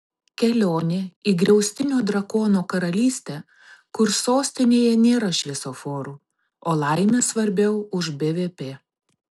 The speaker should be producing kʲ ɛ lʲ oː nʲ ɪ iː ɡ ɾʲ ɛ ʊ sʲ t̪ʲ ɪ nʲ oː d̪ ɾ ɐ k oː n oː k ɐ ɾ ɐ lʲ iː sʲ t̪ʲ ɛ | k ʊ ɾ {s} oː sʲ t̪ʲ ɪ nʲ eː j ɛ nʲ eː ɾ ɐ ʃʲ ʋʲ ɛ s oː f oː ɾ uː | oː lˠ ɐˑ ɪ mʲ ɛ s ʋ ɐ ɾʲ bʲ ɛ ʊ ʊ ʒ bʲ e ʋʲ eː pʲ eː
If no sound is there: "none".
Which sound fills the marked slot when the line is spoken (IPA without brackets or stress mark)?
s